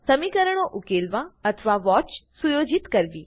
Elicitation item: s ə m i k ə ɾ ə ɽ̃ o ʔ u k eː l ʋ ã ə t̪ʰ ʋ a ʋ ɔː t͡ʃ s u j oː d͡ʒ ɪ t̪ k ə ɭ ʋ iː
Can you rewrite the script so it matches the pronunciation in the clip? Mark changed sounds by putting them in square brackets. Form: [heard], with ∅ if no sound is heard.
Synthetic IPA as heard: s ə m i k ə ɾ ə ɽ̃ o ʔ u k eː l ʋ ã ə t̪ʰ ʋ a ʋ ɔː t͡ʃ s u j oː d͡ʒ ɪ t̪ k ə [ɾ] ʋ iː